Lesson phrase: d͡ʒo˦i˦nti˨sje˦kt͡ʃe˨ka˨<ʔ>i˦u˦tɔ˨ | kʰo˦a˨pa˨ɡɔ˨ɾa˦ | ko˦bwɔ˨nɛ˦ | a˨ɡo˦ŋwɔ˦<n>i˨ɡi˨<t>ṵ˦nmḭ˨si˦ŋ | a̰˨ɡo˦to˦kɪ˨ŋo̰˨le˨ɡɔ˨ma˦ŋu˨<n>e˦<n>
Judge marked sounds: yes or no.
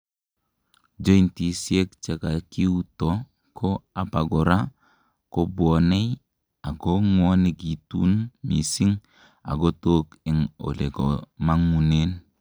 no, yes, yes, yes, yes

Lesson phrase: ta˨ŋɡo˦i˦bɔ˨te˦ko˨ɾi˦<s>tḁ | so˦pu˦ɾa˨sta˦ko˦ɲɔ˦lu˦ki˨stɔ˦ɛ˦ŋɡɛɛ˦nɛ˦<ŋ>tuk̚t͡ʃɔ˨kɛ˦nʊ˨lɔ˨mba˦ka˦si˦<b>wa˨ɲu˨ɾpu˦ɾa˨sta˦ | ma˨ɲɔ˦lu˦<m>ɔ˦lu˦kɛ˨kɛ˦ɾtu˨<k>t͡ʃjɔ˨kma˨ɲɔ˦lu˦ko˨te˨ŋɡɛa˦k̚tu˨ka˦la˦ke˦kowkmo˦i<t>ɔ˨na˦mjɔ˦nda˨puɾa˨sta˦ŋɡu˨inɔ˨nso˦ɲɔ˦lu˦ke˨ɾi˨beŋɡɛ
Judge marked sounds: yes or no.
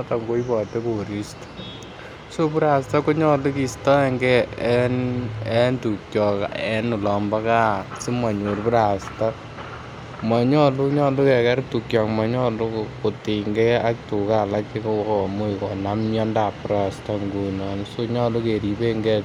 yes, no, no, no, yes, no

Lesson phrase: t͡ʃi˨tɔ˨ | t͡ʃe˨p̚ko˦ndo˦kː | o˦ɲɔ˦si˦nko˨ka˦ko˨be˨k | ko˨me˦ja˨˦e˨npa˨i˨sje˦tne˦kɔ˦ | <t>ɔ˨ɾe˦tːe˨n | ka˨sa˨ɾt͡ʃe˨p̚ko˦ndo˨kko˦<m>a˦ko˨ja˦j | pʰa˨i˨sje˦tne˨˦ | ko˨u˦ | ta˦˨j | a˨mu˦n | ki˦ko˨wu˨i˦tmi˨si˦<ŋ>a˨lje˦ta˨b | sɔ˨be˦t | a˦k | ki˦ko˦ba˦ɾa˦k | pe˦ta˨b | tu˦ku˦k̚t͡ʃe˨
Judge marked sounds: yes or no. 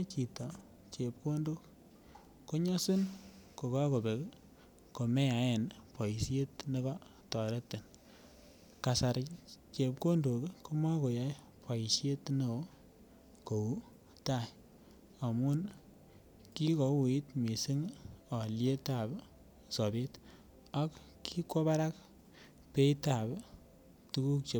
yes, yes, yes

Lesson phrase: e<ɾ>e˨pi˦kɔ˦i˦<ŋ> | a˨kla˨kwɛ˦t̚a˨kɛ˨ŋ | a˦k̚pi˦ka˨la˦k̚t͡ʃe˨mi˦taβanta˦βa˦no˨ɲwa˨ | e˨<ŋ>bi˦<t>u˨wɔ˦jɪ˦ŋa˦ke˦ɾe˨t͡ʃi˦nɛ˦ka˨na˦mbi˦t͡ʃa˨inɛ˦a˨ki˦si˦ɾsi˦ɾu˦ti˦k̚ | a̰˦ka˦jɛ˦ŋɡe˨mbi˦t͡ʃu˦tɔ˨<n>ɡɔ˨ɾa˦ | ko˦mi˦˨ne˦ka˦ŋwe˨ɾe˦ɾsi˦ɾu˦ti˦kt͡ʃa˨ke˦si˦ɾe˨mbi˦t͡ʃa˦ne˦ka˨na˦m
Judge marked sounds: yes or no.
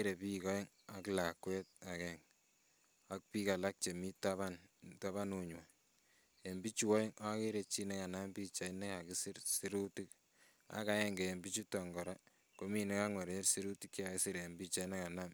yes, yes, no, no, no

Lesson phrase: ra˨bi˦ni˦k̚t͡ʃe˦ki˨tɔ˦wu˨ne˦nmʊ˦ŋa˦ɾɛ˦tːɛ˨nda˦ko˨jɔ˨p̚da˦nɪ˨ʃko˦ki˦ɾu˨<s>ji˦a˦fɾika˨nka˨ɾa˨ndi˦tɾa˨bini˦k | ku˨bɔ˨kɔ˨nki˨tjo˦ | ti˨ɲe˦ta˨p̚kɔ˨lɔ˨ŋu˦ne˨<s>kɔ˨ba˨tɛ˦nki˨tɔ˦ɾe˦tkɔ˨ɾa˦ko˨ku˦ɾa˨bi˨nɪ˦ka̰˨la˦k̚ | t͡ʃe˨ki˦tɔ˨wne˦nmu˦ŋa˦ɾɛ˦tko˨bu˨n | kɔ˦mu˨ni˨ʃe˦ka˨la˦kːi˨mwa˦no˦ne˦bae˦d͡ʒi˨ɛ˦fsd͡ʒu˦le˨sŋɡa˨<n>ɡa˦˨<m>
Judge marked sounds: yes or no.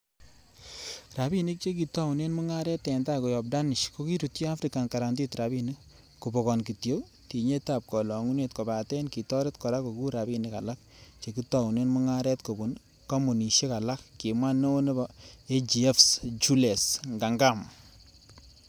no, no, no, yes

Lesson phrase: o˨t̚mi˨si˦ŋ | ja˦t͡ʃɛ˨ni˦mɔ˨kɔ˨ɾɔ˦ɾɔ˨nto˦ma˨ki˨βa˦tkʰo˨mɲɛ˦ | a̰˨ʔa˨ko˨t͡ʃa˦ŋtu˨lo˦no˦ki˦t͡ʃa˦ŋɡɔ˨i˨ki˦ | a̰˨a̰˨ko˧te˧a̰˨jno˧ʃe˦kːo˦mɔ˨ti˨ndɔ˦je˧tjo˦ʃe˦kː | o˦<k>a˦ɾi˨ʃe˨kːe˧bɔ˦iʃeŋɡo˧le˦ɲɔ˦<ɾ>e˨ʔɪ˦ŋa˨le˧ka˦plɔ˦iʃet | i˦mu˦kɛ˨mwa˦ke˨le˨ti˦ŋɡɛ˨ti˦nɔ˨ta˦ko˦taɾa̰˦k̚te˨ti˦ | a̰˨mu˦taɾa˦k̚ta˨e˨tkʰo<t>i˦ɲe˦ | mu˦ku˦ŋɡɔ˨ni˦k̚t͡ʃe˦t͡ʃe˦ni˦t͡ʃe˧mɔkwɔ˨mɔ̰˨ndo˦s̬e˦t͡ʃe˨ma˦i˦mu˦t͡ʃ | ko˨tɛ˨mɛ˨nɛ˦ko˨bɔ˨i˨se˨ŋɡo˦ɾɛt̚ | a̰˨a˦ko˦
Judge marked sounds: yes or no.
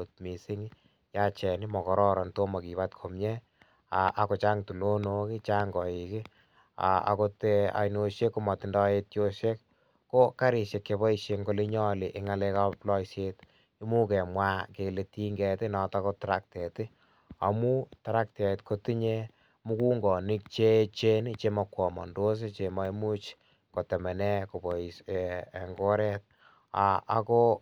yes, no, yes

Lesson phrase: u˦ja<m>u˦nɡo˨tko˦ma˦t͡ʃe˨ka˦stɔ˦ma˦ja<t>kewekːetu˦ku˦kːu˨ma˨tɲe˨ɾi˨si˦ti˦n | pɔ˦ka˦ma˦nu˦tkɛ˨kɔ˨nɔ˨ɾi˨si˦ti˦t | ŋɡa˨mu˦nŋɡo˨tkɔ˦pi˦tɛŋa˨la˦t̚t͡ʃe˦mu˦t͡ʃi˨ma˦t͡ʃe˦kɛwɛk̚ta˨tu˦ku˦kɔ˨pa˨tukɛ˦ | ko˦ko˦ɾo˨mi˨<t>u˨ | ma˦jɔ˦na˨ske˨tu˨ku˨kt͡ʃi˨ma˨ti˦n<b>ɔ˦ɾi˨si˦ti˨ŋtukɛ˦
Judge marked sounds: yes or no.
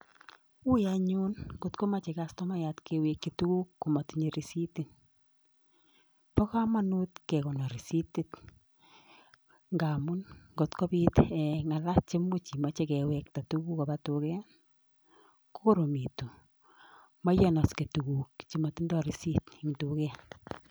no, yes, yes, no

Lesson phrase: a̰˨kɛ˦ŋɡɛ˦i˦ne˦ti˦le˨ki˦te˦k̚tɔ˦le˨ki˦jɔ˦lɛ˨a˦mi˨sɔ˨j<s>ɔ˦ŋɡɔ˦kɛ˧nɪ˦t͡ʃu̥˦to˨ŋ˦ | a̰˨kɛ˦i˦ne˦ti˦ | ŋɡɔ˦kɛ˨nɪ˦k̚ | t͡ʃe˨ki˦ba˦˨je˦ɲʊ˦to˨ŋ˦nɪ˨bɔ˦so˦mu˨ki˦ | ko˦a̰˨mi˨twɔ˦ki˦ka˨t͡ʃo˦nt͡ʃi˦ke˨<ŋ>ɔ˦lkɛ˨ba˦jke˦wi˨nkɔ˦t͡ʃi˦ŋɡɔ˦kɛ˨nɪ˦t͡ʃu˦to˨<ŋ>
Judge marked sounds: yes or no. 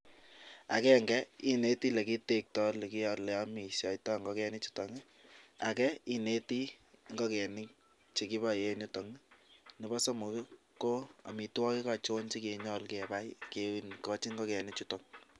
no, no, yes

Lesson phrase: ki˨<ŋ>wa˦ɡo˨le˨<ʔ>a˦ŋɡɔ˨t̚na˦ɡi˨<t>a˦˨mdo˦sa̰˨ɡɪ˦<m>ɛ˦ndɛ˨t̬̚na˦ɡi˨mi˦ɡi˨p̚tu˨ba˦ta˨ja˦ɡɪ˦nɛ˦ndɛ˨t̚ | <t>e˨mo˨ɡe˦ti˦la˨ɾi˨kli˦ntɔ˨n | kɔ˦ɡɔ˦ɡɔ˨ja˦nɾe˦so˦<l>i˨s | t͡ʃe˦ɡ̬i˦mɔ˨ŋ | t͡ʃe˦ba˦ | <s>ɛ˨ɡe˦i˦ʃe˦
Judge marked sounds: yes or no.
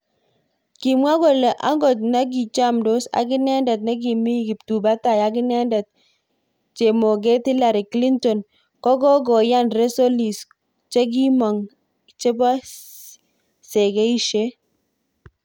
no, yes, no, no, no, yes, yes

